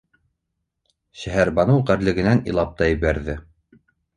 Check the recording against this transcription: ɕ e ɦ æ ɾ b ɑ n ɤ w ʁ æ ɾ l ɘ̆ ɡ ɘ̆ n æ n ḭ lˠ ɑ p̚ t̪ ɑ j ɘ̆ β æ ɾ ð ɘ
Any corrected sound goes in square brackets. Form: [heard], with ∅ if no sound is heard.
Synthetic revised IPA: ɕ [æ] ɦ æ ɾ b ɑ n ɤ w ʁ æ ɾ l ɘ̆ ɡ ɘ̆ n æ n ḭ lˠ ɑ p̚ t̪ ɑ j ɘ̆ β æ ɾ ð ɘ